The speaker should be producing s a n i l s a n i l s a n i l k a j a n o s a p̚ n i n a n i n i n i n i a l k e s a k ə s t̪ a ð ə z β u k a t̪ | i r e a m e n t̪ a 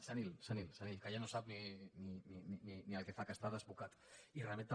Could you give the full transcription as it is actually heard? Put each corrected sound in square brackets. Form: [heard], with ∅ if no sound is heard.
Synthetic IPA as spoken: s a n i l s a n i l s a n i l k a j a n o s a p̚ n i n [i] n i n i n i n i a l k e [f] a k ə s t̪ a ð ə z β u k a t̪ | i r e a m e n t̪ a